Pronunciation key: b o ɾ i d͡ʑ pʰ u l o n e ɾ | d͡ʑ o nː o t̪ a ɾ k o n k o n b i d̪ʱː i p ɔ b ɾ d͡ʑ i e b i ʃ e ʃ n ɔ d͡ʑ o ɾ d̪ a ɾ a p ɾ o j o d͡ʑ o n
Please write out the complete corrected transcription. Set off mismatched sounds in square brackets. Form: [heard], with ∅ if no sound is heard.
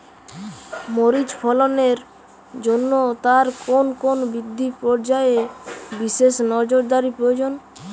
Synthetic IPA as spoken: [m] o ɾ i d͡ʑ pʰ [ɔ] l o n e ɾ | d͡ʑ o nː o t̪ a ɾ k o n k o n b i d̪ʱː i p ɔ [∅] ɾ d͡ʑ [a] e b i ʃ e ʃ n ɔ d͡ʑ o ɾ d̪ a ɾ [i] p ɾ o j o d͡ʑ o n